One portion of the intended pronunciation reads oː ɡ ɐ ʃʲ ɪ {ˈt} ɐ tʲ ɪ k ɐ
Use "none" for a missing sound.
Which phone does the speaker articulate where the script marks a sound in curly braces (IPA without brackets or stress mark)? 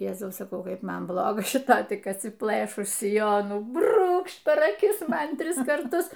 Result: t